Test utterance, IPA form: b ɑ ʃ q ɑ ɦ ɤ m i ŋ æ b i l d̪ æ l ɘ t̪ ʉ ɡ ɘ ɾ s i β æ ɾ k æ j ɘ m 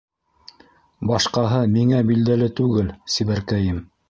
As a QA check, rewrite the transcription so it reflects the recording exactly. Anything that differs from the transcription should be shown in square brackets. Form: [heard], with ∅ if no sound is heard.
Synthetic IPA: b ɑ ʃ q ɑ ɦ ɤ m i ŋ æ b i l d̪ æ l ɘ t̪ ʉ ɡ ɘ [l] s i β æ ɾ k æ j ɘ m